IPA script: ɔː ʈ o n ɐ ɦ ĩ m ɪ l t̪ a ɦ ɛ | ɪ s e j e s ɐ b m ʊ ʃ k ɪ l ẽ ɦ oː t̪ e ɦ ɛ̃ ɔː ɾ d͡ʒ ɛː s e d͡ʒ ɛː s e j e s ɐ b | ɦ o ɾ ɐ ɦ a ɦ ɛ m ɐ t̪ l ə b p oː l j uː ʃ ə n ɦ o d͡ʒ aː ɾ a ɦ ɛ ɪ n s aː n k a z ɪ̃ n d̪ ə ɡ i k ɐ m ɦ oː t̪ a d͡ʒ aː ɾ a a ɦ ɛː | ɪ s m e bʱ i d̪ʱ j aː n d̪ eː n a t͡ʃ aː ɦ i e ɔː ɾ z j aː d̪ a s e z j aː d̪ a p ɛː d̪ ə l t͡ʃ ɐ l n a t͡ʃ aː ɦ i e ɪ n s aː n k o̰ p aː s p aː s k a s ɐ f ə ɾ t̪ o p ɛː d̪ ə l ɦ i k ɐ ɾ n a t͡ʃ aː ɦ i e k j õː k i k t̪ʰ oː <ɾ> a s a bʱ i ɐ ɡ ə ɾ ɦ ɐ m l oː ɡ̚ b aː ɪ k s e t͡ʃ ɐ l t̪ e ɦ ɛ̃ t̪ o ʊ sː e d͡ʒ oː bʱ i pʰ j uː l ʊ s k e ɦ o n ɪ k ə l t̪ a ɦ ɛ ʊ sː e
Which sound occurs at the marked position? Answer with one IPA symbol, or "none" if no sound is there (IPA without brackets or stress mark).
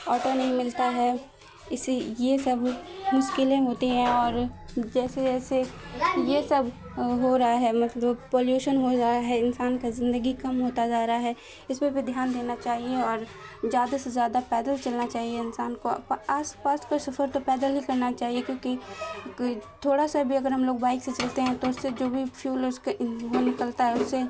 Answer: ɽ